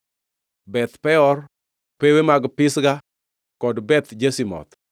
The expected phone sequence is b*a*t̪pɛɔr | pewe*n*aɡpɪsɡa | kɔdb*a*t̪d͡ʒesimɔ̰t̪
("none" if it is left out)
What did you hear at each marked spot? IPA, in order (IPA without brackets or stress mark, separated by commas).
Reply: ɛ, m, ɛ